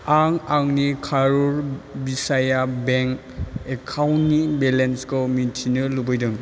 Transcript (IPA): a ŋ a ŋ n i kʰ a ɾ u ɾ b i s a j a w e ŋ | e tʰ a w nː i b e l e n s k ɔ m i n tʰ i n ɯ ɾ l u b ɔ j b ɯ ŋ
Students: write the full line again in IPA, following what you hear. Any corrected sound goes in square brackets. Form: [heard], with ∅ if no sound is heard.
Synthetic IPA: a ŋ a ŋ n i kʰ a ɾ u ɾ b i s a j a [b] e ŋ | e [kʰ] a w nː i b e l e n s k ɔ m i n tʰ i n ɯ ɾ l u b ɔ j [d] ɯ ŋ